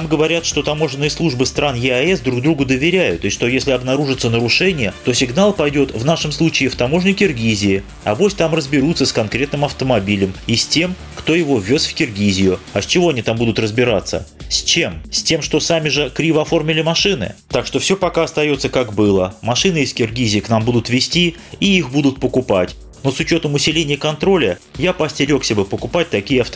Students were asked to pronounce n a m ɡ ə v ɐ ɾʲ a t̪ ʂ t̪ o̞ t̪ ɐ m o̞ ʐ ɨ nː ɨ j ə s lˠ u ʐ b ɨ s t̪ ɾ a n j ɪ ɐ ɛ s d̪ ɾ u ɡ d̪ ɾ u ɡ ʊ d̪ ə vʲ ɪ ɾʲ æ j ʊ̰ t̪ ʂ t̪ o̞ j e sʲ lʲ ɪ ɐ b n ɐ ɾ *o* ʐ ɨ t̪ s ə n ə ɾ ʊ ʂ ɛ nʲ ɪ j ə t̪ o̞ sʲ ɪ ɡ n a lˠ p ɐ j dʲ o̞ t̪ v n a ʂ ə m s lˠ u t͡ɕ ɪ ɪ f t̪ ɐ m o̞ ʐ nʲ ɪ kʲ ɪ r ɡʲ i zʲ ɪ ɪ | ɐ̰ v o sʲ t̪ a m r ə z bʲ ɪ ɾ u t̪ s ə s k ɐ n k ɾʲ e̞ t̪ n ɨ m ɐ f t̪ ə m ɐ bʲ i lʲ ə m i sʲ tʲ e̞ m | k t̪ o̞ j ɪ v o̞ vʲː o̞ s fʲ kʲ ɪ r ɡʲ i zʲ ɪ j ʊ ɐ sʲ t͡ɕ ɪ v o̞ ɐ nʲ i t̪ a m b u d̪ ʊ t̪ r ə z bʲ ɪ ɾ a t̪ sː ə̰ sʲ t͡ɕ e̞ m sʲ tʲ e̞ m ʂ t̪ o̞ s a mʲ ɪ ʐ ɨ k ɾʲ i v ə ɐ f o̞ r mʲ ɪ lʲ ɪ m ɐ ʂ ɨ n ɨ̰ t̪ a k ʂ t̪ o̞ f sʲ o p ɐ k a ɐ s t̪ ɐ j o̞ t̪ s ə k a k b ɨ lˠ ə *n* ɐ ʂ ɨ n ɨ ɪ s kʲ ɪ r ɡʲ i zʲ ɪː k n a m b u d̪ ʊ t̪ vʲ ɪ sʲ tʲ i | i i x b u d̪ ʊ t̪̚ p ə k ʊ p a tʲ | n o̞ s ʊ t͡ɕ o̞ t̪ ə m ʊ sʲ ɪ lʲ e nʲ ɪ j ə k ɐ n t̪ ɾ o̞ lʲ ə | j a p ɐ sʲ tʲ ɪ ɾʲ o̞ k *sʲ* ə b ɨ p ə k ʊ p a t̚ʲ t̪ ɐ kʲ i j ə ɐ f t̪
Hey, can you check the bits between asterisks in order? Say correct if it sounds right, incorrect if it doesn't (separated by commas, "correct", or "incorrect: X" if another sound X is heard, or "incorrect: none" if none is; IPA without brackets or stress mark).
incorrect: u, incorrect: m, correct